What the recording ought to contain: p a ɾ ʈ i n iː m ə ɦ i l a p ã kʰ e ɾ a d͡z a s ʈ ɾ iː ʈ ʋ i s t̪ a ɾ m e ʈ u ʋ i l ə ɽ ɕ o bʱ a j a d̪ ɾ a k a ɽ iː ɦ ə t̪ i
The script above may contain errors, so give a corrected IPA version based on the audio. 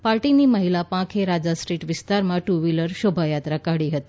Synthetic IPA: p a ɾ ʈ i n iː m ə ɦ i l a p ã kʰ e ɾ a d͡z a s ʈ ɾ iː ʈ ʋ i s t̪ a ɾ m a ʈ u ʋ i l ə ɾ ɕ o bʱ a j a t̪ ɾ a k a ɽ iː ɦ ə t̪ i